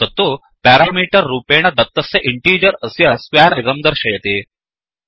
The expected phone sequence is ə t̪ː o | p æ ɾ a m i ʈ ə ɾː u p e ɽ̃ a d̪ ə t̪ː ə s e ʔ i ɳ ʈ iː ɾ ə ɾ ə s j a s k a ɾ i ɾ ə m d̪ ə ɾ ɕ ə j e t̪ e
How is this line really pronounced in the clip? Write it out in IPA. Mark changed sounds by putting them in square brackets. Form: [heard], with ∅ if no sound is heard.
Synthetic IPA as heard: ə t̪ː o | p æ ɾ a m i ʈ ə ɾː u p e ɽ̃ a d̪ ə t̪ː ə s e ʔ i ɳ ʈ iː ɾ ə ɾ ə s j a s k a ɾ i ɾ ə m d̪ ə ɾ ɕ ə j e t̪ e